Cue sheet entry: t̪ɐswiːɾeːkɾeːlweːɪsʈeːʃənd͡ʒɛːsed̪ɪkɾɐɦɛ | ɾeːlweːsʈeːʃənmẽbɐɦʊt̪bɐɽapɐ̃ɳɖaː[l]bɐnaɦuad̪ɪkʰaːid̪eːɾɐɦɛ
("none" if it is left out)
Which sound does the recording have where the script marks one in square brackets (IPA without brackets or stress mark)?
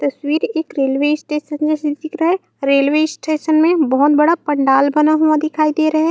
l